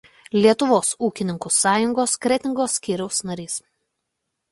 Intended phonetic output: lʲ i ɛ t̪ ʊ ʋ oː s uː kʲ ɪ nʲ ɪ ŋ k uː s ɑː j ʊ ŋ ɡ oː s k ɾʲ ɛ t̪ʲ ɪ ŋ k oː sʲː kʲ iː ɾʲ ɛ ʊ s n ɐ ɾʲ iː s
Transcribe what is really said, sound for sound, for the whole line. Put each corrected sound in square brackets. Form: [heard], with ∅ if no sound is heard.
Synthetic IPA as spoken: lʲ i ɛ t̪ ʊ ʋ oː s uː kʲ ɪ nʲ ɪ ŋ k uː s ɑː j ʊ ŋ ɡ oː s k ɾʲ ɛ t̪ʲ ɪ ŋ [ɡ] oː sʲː kʲ iː ɾʲ ɛ ʊ s n ɐ ɾʲ iː s